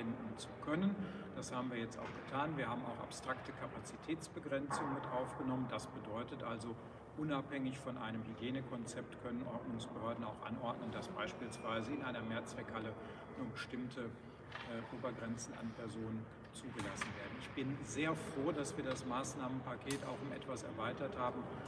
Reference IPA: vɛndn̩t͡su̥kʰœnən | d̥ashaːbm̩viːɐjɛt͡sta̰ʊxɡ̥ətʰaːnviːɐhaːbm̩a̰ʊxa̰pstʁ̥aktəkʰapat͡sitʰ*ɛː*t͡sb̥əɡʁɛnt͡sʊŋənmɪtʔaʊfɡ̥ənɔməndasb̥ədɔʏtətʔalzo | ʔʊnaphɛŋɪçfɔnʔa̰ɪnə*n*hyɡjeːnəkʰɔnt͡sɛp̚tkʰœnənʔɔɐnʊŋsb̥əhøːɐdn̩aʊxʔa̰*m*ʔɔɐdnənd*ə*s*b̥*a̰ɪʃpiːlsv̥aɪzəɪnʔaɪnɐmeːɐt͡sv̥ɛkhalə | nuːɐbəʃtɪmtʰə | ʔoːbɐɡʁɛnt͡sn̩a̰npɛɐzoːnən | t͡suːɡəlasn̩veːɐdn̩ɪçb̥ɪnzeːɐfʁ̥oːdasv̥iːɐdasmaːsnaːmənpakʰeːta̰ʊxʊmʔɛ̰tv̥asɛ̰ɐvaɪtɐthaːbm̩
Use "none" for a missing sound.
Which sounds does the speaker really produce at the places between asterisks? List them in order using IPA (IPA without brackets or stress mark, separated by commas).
ɛː, m, n, a, b̥